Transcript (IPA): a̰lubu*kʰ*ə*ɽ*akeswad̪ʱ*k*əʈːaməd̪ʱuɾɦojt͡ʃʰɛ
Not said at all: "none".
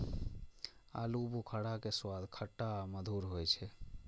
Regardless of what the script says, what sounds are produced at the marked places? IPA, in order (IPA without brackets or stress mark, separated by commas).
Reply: kʰ, ɽ, kʰ